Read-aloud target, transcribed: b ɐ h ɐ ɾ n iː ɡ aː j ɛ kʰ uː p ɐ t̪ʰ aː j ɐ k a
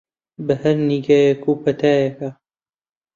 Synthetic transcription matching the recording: b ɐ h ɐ ɾ n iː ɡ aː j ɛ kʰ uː p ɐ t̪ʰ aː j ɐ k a

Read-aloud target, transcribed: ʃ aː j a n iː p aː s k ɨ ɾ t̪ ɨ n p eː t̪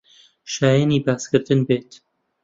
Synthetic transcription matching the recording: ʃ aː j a n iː b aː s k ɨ ɾ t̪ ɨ n b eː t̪

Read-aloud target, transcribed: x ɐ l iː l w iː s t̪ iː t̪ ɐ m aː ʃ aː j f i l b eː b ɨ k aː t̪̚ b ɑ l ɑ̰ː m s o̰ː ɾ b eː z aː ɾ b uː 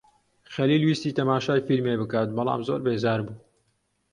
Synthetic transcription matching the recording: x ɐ l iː l w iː s t̪ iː t̪ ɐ m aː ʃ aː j f i l m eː b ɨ k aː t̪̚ b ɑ l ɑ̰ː m z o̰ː ɾ b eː z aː ɾ b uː

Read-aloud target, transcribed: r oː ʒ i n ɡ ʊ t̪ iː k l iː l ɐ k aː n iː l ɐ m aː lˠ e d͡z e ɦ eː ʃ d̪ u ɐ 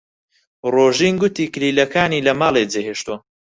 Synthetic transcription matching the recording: r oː ʒ i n ɡ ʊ t̪ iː k l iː l ɐ k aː n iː l ɐ m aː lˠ e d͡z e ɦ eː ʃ t̪ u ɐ

